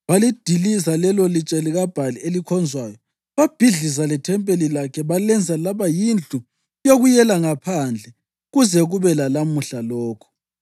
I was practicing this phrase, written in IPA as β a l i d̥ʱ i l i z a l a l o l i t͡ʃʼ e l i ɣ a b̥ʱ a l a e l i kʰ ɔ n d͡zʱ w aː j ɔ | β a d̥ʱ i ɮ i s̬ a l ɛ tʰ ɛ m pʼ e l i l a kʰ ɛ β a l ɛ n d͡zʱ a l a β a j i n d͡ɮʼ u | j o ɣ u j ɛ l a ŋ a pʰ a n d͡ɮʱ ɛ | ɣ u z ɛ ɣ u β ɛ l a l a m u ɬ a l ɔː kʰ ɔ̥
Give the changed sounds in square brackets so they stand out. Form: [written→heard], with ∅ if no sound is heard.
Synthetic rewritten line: β a l i d̥ʱ i l i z a l [a→ɛ] l o l i t͡ʃʼ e l i ɣ a b̥ʱ a l [a→i] e l i kʰ ɔ n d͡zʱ w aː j ɔ | β a [d̥ʱ→b̥ʱ] i ɮ i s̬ a l ɛ tʰ ɛ m pʼ e l i l a kʰ ɛ β a l ɛ n d͡zʱ a l a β a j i n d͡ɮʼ u | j o ɣ u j ɛ l a ŋ a pʰ a n d͡ɮʱ ɛ | ɣ u z ɛ ɣ u β ɛ l a l a m u ɬ a l ɔː kʰ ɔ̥